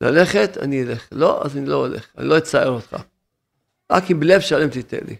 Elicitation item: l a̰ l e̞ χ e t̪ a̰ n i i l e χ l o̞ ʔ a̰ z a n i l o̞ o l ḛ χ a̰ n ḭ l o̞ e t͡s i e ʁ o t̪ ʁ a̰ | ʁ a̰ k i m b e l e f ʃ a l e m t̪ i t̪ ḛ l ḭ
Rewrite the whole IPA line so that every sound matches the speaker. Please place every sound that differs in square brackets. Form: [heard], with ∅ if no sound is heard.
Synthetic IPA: l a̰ l e̞ χ e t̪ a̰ n i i l e χ l o̞ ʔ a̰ z a n i l o̞ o l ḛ χ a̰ n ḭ l o̞ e t͡s [a] e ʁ o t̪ [χ] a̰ | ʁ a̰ k i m b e l e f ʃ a l e m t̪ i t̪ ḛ l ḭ